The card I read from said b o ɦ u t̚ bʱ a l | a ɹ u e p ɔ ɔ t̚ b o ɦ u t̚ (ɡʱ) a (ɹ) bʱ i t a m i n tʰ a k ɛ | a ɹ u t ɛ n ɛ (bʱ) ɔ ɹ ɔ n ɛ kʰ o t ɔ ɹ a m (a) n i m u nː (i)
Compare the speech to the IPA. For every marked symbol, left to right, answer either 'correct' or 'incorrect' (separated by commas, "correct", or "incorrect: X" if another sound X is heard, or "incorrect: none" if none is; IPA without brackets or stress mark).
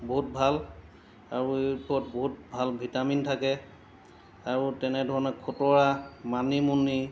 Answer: incorrect: bʱ, incorrect: l, incorrect: dʱ, correct, correct